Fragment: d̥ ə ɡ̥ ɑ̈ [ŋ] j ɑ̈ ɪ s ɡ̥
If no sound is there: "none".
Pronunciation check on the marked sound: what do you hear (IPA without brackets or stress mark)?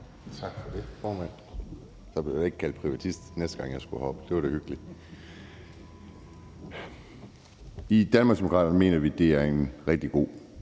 ŋ